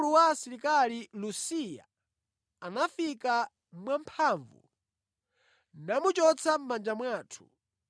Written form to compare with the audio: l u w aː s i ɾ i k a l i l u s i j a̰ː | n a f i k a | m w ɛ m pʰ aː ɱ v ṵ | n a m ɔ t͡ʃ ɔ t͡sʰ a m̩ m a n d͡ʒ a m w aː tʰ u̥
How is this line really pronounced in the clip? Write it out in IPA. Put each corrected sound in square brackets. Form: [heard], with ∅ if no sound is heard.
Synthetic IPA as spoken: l u w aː s i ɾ i k a l i l u s i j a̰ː | n a f i k a | m w [a] m pʰ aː ɱ v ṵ | n a m [u] t͡ʃ ɔ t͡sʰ a m̩ m a n d͡ʒ a m w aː tʰ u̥